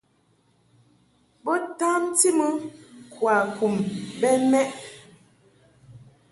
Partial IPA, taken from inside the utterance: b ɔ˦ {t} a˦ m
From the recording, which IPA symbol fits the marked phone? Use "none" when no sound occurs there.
t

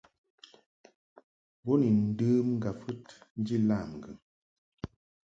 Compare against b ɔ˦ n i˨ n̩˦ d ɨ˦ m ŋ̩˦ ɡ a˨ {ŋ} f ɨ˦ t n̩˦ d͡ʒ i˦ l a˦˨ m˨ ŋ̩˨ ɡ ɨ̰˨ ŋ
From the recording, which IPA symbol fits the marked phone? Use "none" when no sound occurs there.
none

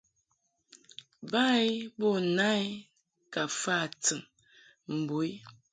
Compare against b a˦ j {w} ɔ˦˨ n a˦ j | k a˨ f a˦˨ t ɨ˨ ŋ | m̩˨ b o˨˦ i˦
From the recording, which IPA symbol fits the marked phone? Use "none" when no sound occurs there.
b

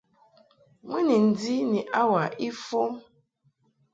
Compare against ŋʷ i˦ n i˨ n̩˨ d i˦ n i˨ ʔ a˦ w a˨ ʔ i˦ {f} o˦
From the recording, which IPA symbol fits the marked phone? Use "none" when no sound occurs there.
f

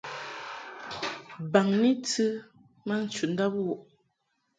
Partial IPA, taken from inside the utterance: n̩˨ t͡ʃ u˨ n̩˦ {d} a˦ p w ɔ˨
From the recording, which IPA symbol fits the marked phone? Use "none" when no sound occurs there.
d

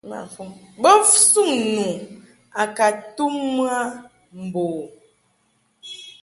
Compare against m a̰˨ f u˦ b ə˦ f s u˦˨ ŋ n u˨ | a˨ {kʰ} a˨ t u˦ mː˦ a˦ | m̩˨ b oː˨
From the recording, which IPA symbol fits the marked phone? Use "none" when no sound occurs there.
k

